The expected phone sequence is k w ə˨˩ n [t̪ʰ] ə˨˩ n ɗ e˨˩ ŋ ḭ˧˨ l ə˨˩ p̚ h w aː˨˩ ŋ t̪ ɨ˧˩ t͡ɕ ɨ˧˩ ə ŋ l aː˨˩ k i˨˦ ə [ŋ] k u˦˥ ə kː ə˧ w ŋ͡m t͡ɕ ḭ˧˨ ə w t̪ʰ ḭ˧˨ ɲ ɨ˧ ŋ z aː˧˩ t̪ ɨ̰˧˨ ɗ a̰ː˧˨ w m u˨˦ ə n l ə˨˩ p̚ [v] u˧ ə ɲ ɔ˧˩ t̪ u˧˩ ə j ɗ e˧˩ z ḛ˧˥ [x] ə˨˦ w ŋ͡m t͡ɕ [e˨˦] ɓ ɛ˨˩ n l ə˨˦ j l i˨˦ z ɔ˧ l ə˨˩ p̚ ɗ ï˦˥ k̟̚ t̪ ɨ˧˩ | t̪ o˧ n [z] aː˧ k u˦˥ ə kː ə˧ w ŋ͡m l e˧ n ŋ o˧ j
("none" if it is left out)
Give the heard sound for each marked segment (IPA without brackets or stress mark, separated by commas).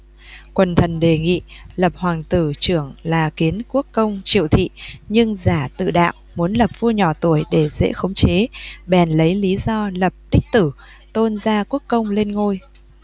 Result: t̪ʰ, n, v, x, e˨˦, z